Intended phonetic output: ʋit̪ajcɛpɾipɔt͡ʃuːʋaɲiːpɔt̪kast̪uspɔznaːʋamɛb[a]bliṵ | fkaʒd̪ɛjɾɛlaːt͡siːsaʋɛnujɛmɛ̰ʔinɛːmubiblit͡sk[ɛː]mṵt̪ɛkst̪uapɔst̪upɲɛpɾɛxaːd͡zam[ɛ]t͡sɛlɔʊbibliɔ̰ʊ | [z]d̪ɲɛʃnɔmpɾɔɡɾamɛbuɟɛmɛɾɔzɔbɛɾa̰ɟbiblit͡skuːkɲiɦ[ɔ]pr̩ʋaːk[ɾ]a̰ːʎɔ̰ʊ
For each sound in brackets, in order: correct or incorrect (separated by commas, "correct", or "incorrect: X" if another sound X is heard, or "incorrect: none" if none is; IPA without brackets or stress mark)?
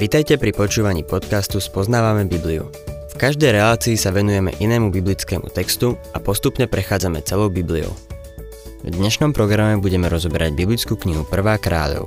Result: incorrect: i, correct, correct, incorrect: v, incorrect: u, correct